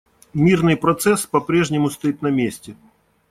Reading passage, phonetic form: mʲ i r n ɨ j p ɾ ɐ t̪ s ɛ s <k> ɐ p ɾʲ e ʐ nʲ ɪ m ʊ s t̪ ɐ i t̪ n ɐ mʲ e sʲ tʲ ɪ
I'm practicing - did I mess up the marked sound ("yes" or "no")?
yes